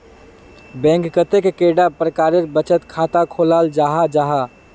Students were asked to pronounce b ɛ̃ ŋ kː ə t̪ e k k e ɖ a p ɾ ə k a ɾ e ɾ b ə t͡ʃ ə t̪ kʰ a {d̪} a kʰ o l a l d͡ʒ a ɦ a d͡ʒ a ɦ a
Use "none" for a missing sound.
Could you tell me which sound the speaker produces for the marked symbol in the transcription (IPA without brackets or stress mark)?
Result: t̪